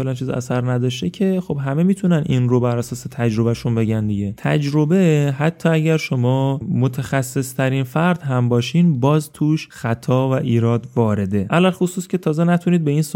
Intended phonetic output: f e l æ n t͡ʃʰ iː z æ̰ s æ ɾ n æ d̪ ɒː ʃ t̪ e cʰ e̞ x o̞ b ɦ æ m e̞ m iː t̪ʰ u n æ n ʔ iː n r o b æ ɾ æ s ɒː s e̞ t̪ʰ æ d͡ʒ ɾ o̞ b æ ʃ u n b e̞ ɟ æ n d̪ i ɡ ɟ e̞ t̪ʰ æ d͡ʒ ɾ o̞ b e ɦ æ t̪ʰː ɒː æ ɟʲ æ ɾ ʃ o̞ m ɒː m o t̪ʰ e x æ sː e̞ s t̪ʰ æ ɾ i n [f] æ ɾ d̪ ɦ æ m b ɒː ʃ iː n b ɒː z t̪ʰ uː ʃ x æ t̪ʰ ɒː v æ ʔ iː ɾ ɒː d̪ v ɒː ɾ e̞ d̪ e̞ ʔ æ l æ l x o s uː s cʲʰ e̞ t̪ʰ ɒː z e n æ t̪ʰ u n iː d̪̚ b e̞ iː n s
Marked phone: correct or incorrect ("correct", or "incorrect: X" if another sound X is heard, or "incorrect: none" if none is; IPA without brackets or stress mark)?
correct